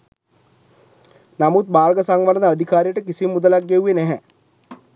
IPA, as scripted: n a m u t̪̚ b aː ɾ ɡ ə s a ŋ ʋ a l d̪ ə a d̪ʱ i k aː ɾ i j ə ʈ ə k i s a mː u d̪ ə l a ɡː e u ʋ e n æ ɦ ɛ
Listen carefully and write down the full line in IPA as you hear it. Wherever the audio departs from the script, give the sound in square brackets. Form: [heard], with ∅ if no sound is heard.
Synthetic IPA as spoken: n a m u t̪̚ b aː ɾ ɡ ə s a ŋ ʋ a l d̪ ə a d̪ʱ i k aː ɾ i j ə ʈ ə k i s [i] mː u d̪ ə l a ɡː e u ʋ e n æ ɦ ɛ

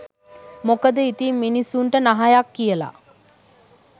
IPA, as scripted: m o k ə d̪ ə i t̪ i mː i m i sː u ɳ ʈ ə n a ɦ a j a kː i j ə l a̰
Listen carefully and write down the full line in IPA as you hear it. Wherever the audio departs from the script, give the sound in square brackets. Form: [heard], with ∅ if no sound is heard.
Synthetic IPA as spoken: m o k ə d̪ ə i t̪ i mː i [n] i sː u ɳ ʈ ə n a ɦ a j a kː i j ə l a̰

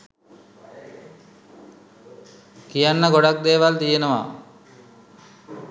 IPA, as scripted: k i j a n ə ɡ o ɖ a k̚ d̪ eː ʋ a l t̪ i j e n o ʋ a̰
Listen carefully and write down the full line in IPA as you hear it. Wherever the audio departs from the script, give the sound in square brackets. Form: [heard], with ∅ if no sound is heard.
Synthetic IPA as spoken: k i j a [nː] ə ɡ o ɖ a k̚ d̪ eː ʋ a l t̪ i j e n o ʋ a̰

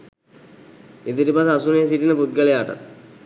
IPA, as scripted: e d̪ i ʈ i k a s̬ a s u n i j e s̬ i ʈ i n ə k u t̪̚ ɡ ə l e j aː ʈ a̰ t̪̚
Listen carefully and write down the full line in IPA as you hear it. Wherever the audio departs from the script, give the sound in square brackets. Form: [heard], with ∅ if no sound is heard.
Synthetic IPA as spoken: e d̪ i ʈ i [p] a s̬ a s u n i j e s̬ i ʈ i n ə [p] u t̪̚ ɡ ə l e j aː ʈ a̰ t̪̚

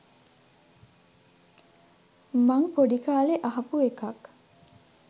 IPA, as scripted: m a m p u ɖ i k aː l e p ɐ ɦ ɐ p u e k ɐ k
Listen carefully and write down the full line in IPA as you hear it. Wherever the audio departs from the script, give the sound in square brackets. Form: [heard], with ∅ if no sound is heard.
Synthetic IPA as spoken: m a [ŋ] p [o] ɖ i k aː l e [ʔ] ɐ ɦ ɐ p u e k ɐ k

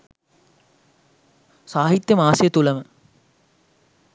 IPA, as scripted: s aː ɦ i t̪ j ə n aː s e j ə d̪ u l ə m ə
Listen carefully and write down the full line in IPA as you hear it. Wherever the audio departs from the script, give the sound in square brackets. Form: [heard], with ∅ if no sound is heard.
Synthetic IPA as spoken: s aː ɦ i t̪ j ə [m] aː s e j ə [t̪] u l ə m ə

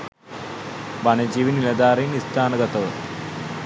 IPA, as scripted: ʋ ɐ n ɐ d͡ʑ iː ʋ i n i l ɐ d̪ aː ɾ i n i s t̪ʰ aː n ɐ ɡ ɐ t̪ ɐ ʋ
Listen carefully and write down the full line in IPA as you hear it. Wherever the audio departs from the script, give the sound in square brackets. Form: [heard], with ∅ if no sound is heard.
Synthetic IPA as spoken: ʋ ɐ n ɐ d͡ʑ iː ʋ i n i l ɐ d̪ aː ɾ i n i s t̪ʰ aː n ɐ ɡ ɐ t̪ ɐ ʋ

